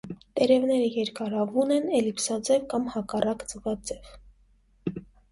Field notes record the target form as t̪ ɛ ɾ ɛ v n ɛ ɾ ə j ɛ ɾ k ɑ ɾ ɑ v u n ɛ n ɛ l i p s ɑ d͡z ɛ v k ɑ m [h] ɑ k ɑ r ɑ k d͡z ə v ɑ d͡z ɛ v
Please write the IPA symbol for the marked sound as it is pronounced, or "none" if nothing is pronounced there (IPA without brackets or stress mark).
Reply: h